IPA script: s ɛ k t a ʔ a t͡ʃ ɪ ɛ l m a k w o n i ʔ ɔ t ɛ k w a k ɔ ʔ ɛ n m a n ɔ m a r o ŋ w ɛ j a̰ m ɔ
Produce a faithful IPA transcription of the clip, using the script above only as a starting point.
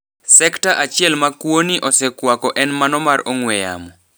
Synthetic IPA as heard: s ɛ k t a ʔ a t͡ʃ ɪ ɛ l m a k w o n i ʔ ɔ s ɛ k w a k ɔ ʔ ɛ n m a n ɔ m a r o ŋ w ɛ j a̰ m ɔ